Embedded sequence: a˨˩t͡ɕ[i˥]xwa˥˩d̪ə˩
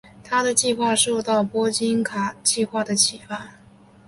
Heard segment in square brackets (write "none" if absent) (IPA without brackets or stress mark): i˥˧